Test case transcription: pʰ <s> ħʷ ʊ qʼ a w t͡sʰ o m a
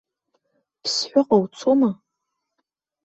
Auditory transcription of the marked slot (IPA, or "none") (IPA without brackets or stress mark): s